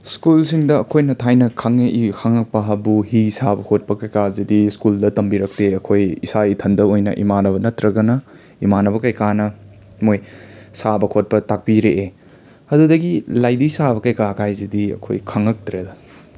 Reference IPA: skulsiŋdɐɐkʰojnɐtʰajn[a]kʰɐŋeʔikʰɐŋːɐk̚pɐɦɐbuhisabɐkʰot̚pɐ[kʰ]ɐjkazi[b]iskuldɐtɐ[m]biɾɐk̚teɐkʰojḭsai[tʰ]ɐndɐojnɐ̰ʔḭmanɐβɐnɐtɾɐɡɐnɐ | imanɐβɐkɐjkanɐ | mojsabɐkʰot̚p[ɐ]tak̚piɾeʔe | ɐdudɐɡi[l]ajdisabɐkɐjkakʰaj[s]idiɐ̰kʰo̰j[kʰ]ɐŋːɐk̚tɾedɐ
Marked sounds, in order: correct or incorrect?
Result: incorrect, incorrect, incorrect, correct, correct, correct, correct, incorrect, correct

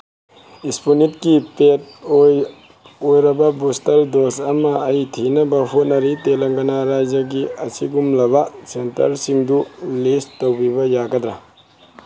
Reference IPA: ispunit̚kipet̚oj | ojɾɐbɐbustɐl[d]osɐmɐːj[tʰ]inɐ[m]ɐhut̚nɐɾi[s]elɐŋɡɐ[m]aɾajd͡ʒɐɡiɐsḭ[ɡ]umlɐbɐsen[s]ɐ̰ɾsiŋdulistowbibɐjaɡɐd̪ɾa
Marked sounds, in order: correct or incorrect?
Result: correct, correct, incorrect, incorrect, incorrect, correct, incorrect

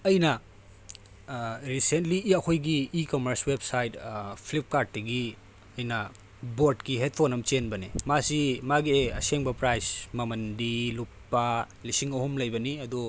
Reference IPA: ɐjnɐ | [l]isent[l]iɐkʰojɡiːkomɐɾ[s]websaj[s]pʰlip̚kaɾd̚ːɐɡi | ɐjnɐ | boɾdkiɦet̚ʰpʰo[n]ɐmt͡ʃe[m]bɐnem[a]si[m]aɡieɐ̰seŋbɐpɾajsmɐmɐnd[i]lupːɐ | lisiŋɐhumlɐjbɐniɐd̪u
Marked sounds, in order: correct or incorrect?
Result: incorrect, correct, correct, incorrect, correct, incorrect, correct, correct, correct

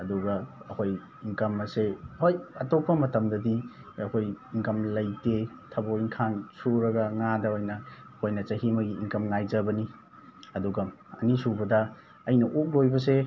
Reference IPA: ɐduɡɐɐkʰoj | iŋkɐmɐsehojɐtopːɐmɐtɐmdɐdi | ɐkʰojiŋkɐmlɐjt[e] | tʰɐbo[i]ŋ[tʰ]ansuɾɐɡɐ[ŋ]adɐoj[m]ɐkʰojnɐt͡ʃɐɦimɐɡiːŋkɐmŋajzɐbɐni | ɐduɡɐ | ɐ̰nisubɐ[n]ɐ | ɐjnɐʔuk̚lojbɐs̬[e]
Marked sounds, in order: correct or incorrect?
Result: correct, correct, incorrect, correct, incorrect, incorrect, correct

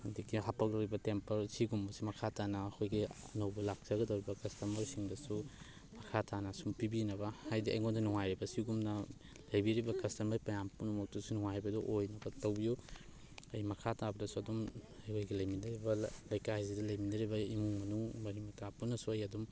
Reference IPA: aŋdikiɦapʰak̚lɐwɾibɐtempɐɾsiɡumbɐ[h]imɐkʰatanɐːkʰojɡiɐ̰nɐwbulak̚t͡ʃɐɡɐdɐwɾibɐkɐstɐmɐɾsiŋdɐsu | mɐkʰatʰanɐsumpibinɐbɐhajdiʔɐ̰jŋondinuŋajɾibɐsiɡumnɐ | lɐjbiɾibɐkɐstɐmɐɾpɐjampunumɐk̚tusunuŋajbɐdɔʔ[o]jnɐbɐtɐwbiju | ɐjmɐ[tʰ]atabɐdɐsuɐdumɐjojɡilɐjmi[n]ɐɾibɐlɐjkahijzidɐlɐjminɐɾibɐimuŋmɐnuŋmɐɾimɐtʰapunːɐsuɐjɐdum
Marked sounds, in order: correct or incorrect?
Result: incorrect, correct, incorrect, correct

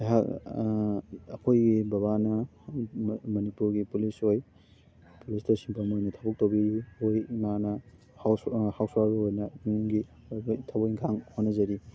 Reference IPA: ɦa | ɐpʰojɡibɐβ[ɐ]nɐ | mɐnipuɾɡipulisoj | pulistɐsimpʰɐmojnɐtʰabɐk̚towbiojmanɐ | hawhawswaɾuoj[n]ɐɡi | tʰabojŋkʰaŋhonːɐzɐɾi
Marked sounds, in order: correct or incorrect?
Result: incorrect, correct

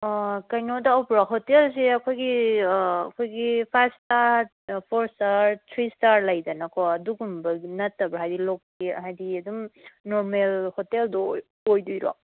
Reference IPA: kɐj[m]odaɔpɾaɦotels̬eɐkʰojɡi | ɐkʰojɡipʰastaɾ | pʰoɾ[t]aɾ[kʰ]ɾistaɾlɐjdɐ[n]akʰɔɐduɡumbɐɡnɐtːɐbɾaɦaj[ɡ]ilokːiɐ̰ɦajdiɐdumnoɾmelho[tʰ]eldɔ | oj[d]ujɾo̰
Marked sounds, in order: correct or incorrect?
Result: incorrect, incorrect, incorrect, correct, incorrect, incorrect, correct

